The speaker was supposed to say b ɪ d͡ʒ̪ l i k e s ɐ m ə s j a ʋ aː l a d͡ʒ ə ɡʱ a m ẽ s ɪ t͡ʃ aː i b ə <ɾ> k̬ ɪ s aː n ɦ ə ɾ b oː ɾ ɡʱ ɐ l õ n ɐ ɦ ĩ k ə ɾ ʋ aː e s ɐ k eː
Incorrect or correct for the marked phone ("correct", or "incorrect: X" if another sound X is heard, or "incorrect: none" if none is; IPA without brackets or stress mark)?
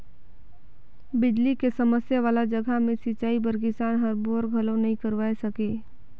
correct